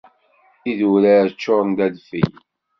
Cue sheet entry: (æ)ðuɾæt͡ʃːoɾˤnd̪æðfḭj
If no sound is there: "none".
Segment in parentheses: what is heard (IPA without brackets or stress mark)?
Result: i